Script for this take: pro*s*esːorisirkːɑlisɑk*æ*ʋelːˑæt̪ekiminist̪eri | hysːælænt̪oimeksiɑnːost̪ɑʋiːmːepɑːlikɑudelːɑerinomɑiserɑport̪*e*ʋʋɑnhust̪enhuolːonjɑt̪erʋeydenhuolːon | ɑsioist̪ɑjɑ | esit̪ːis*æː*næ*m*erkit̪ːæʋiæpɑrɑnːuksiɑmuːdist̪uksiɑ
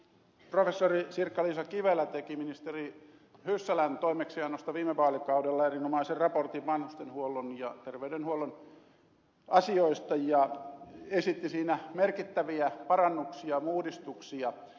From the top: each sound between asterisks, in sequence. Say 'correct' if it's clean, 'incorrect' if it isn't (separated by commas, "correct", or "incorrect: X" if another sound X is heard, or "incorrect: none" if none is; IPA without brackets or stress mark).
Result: incorrect: f, incorrect: i, incorrect: i, incorrect: iː, correct